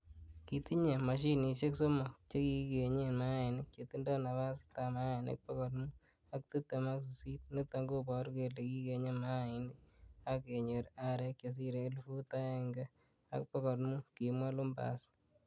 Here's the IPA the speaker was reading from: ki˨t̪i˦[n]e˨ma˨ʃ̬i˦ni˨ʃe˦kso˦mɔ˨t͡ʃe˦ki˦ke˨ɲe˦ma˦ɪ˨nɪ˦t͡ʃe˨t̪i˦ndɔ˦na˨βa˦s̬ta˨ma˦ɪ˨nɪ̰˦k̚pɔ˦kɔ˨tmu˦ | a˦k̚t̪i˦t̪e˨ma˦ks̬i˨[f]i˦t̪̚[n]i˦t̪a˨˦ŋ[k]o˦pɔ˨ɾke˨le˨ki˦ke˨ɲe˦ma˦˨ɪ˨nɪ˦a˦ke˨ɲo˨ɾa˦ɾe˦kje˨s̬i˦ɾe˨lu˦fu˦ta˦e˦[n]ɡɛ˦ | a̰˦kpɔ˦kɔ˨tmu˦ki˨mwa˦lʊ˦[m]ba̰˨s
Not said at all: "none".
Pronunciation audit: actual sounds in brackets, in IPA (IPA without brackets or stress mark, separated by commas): ɲ, s, n, ɡ, ŋ, m